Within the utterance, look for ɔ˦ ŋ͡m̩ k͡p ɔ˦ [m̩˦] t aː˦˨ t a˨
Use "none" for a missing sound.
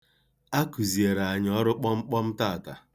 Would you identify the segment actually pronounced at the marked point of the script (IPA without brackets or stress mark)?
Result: m̩˦